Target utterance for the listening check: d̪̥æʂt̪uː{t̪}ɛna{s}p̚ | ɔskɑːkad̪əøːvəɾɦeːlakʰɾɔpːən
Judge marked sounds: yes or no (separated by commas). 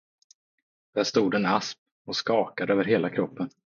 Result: no, yes